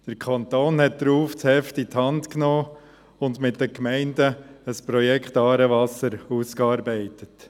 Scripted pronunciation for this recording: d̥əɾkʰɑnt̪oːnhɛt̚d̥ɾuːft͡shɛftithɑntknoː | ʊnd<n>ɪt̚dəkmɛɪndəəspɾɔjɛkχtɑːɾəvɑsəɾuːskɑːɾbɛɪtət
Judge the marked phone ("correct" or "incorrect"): incorrect